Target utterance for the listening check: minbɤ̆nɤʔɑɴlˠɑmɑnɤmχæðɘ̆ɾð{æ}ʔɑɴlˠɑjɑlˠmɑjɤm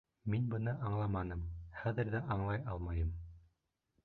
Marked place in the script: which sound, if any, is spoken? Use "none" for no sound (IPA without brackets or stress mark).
æ